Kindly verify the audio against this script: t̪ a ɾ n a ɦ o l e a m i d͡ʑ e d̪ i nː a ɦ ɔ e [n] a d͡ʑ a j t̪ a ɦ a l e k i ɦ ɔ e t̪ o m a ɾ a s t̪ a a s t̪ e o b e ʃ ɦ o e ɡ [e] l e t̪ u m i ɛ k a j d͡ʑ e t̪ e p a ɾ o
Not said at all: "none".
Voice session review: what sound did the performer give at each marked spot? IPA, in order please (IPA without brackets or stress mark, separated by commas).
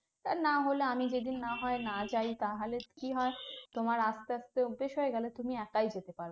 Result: n, ɛ